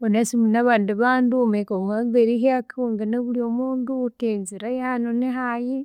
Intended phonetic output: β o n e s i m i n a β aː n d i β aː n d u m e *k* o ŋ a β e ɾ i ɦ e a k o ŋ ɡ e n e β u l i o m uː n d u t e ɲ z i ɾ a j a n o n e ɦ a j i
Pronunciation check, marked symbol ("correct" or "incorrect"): correct